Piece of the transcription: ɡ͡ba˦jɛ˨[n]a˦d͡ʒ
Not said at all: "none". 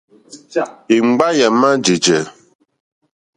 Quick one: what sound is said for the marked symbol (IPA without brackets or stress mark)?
m